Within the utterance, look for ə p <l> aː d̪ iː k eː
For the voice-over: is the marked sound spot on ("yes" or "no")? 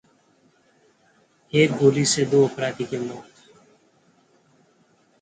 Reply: no